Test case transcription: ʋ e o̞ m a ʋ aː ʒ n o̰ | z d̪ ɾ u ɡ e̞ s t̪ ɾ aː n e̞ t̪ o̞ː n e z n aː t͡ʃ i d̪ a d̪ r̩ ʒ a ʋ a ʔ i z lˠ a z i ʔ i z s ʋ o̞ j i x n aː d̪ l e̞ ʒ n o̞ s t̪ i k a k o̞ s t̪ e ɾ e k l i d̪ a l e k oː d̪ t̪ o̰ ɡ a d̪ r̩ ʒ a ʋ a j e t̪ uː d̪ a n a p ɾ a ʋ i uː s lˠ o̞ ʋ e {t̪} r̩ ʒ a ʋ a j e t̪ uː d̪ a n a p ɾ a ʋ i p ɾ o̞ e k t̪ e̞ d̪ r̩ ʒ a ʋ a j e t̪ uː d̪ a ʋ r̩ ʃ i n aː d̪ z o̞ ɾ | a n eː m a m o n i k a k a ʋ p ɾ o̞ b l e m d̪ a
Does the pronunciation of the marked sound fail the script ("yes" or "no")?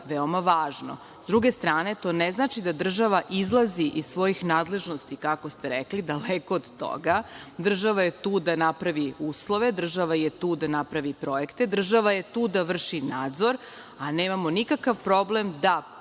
yes